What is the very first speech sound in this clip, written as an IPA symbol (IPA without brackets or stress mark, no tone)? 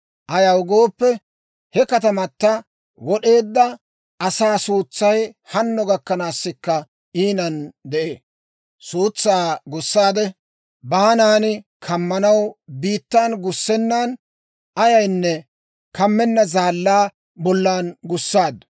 ʔ